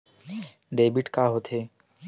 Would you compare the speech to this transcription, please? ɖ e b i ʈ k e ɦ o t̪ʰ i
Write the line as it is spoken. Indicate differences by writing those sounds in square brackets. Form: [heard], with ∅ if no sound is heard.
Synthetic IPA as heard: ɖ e b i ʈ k [a] ɦ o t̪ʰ [e]